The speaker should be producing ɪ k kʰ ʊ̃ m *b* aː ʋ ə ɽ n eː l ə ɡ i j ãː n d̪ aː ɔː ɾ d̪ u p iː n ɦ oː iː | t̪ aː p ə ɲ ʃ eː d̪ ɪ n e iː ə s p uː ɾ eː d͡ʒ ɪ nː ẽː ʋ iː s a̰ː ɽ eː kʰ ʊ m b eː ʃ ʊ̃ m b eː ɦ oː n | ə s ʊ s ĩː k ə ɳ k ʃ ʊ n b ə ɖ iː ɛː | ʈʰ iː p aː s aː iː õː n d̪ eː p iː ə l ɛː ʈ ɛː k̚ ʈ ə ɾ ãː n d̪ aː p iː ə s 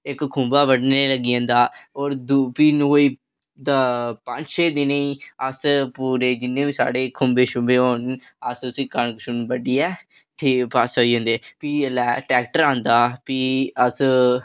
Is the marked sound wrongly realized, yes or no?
no